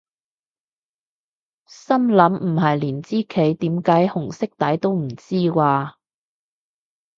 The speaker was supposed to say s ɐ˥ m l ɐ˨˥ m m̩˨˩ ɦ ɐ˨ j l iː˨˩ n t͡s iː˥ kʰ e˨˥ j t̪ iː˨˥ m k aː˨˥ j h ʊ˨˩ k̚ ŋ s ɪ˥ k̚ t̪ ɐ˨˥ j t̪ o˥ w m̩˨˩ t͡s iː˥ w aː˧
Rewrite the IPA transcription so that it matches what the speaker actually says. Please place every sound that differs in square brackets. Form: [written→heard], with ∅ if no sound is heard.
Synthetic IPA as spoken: s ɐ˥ m l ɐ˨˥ m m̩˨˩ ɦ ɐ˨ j l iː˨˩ n t͡s iː˥ kʰ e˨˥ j t̪ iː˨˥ m k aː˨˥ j h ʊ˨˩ [k̚→∅] ŋ s ɪ˥ k̚ t̪ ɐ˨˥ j t̪ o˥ w m̩˨˩ t͡s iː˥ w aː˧